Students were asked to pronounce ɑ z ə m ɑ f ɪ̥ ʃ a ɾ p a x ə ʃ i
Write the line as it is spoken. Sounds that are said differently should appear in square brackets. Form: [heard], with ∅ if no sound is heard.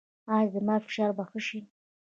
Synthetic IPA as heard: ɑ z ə m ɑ f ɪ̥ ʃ [ɑ] ɾ [b] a x ə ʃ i